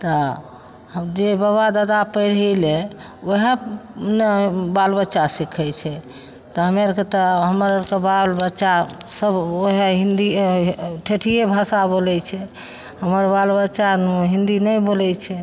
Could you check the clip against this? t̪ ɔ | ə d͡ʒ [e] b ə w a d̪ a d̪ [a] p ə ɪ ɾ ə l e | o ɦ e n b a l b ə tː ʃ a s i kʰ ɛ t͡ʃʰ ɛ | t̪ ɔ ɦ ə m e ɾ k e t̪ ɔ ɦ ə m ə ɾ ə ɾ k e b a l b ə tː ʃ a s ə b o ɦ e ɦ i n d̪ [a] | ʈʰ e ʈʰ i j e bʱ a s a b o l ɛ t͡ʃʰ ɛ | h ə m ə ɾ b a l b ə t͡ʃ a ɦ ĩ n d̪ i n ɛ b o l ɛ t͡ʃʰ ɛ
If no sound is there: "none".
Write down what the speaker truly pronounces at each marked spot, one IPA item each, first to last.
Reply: e, a, i

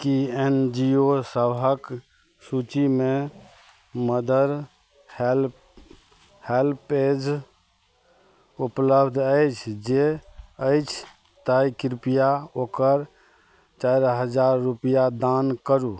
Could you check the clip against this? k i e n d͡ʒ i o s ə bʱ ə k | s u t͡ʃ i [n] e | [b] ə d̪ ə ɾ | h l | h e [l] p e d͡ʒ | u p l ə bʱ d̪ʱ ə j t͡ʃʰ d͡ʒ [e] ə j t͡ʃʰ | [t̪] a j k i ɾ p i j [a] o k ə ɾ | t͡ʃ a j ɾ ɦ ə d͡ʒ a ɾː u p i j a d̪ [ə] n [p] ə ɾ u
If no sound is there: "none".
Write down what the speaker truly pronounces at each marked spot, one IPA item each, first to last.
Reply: m, m, l, e, t̪, a, a, k

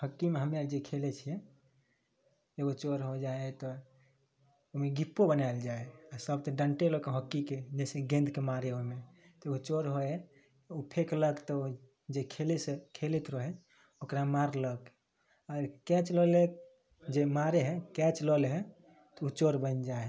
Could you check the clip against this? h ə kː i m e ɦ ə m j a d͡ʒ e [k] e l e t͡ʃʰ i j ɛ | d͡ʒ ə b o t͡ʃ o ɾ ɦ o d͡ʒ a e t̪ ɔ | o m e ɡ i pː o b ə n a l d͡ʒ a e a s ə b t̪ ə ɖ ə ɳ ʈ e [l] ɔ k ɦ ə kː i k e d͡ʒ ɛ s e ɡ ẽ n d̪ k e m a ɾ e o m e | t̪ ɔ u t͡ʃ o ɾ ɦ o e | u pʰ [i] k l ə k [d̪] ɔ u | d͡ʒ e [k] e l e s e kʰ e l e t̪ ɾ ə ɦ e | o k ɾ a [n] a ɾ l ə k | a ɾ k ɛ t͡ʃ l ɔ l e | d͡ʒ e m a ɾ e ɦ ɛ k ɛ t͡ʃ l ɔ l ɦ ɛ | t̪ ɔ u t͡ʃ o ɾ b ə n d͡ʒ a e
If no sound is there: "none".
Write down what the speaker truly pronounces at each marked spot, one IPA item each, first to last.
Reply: kʰ, l, e, t̪, kʰ, m

